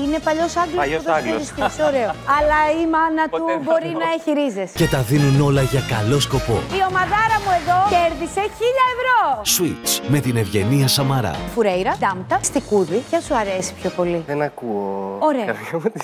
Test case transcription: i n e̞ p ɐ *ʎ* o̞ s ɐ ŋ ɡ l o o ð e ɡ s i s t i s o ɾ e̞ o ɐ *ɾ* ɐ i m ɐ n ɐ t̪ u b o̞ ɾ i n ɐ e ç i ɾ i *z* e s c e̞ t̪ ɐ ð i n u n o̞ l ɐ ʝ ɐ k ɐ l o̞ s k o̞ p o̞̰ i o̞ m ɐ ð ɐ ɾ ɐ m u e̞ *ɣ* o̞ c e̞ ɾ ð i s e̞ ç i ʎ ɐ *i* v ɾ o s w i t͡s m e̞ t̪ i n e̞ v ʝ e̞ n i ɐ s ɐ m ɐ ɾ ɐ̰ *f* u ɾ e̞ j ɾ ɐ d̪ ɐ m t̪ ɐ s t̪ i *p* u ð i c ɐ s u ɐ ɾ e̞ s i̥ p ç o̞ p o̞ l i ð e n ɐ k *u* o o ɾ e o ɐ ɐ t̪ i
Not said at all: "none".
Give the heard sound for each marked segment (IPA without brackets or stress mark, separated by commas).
ʎ, l, z, ð, e, f, k, u